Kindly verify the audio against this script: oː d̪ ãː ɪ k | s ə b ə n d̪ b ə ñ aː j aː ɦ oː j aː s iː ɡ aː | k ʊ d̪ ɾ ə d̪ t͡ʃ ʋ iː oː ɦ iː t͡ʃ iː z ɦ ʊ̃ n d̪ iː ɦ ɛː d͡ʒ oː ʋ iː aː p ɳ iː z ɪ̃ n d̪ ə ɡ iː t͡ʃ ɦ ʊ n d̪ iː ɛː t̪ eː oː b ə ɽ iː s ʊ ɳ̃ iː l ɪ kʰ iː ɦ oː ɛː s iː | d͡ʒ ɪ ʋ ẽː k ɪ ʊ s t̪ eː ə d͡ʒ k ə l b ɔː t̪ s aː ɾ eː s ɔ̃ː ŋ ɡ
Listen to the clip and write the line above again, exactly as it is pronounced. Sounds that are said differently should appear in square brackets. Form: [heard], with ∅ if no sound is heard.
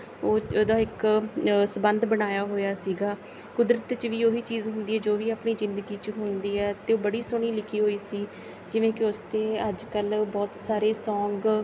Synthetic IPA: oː d̪ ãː ɪ k | s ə b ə n d̪ b ə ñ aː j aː ɦ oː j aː s iː ɡ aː | k ʊ d̪ ɾ ə [t̪] t͡ʃ ʋ iː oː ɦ iː t͡ʃ iː z ɦ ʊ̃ n d̪ iː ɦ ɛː d͡ʒ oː ʋ iː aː p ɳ iː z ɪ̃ n d̪ ə ɡ iː t͡ʃ ɦ ʊ n d̪ iː ɛː t̪ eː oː b ə ɽ iː s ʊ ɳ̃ iː l ɪ kʰ iː ɦ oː [iː] s iː | d͡ʒ ɪ ʋ ẽː k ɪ ʊ s t̪ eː ə d͡ʒ k ə l b ɔː t̪ s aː ɾ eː s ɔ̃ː ŋ ɡ

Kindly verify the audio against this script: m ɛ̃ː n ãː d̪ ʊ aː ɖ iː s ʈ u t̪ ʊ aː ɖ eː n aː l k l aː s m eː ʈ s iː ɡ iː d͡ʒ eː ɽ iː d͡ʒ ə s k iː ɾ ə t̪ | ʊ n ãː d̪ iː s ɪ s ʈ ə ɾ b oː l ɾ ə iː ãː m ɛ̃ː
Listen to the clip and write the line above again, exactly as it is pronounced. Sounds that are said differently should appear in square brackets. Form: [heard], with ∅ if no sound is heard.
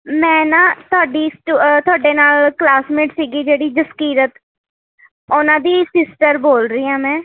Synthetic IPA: m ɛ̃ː n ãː [t̪] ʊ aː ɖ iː s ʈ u t̪ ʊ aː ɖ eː n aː l k l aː s m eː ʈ s iː ɡ iː d͡ʒ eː ɽ iː d͡ʒ ə s k iː ɾ ə t̪ | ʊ n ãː d̪ iː s ɪ s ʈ ə ɾ b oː l ɾ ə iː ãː m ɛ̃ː

